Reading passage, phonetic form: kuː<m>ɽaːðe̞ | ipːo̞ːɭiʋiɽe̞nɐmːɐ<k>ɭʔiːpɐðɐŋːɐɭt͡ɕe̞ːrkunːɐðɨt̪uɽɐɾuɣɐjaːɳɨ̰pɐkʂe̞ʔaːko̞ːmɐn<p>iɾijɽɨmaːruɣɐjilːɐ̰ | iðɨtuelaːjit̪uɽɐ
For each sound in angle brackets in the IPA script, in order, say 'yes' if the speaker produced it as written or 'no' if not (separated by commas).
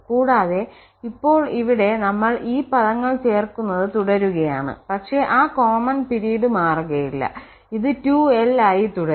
no, no, yes